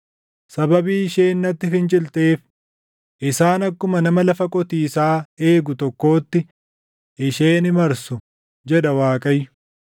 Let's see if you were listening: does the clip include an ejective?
yes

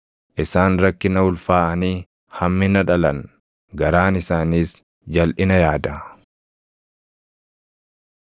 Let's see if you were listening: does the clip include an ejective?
no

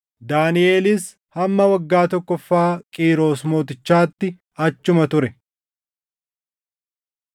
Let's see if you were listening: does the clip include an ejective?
yes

